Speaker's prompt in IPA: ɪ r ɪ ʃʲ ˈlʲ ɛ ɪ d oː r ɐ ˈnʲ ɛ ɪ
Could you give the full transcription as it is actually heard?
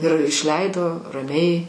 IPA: ɪ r ɪ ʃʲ ˈlʲ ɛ ɪ d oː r ɐ ˈmʲ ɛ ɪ